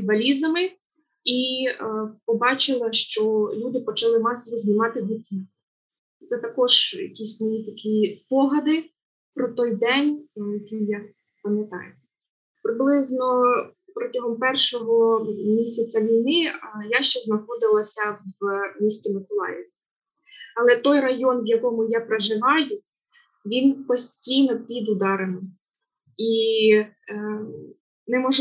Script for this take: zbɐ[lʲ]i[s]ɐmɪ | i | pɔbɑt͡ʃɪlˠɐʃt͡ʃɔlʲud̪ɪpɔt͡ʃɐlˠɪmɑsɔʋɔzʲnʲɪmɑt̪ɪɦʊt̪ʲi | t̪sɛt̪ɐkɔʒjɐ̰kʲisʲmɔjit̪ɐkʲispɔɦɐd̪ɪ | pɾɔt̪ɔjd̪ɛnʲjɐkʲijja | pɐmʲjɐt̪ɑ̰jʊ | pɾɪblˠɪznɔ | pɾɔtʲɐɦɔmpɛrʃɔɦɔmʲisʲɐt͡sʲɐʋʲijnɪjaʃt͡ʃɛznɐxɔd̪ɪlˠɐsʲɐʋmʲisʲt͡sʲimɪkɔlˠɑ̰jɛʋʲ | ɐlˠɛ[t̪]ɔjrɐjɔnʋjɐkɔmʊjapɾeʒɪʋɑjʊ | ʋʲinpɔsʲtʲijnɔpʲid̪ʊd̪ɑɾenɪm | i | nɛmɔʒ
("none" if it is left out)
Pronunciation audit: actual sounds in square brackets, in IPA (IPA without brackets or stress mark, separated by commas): lʲ, z, t̪